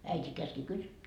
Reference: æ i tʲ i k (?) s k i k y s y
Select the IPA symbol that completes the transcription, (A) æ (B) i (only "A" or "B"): A